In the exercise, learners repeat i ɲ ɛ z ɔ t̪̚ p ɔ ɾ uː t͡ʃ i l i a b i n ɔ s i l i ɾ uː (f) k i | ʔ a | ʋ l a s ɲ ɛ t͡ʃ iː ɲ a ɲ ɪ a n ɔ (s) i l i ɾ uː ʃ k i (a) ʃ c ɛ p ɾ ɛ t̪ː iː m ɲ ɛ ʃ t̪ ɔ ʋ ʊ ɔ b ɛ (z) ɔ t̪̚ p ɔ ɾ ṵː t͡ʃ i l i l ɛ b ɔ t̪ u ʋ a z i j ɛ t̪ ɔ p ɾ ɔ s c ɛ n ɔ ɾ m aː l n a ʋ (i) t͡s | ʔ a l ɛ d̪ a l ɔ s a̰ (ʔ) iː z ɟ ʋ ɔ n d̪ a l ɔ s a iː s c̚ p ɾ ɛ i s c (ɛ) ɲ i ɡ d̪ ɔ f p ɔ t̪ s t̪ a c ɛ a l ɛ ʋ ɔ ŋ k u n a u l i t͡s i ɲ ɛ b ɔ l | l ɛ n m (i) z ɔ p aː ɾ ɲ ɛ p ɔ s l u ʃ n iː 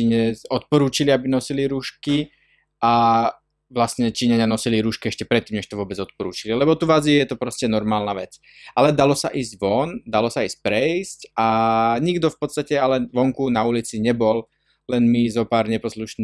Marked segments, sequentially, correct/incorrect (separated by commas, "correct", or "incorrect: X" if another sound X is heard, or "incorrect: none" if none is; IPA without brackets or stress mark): incorrect: ʃ, correct, incorrect: ɛ, incorrect: d͡z, incorrect: ɛ, correct, incorrect: a, correct